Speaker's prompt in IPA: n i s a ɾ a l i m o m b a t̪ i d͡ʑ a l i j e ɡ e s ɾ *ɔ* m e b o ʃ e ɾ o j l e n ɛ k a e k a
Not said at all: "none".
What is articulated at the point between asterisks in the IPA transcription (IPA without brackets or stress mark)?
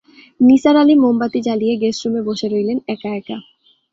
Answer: u